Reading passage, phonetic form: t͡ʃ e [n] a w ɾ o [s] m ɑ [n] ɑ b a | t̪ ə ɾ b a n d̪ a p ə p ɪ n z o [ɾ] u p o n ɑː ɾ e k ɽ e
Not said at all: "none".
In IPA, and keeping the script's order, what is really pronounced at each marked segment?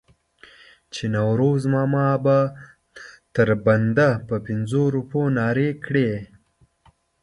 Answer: n, z, m, ɾ

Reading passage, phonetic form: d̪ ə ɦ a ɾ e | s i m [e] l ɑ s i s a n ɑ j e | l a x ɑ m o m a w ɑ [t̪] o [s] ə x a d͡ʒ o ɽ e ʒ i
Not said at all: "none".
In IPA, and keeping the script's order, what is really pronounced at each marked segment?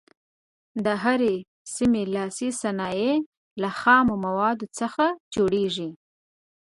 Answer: e, d̪, t͡s

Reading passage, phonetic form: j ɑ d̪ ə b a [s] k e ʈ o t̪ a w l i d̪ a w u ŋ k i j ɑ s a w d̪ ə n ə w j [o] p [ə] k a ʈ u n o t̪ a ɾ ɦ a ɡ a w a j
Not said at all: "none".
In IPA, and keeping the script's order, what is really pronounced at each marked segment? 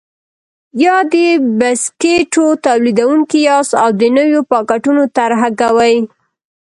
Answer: s, o, ɑ

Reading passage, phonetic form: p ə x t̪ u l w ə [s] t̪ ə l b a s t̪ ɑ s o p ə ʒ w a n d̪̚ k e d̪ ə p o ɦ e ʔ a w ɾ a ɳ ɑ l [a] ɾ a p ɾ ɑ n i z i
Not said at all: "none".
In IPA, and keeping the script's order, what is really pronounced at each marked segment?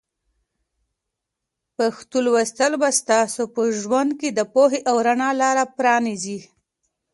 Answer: s, ɑ

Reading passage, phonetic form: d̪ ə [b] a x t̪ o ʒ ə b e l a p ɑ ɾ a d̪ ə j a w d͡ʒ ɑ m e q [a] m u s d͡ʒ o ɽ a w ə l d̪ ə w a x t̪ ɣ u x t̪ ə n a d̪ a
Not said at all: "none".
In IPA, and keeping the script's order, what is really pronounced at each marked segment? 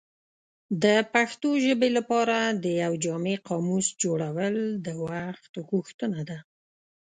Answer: p, ɑ

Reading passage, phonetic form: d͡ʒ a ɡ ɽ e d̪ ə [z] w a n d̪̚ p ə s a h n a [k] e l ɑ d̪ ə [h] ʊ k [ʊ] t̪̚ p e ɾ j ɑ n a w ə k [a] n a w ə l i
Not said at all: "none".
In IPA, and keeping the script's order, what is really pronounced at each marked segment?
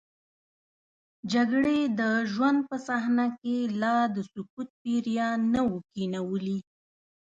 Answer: ʒ, k, s, u, i

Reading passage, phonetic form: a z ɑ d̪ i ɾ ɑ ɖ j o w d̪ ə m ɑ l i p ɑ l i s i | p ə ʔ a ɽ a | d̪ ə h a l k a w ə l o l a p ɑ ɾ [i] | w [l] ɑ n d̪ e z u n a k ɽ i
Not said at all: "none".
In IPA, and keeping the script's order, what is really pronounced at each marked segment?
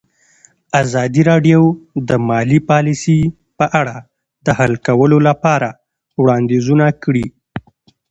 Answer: a, ɽ

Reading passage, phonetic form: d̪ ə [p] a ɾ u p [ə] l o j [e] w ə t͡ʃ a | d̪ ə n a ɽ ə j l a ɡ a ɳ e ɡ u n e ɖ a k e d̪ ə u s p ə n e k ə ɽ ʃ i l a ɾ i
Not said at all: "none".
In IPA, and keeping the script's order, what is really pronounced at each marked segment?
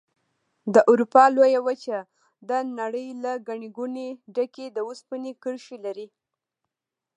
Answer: ʔ, ɑ, a

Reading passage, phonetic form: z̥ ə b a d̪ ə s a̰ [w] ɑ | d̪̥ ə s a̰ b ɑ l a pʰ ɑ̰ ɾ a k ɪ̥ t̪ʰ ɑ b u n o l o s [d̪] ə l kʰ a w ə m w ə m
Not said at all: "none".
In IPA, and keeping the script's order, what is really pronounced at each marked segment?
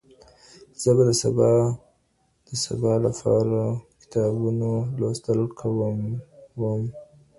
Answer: b, t̪

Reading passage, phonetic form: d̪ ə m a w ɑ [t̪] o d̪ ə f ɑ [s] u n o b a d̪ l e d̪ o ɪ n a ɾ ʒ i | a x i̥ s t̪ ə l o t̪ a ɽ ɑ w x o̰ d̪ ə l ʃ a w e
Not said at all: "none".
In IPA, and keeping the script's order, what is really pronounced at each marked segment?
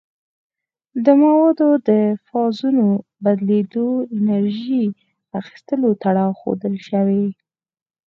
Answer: d̪, z

